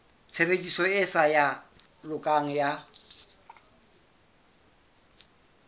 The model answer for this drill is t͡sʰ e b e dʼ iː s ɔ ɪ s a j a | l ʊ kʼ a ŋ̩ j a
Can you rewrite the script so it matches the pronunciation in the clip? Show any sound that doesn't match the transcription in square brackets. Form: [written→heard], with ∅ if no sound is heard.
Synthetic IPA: t͡sʰ e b e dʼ [iː→i] s ɔ ɪ s a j a | l ʊ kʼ a ŋ̩ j a